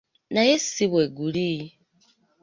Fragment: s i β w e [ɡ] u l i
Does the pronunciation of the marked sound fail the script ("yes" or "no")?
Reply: no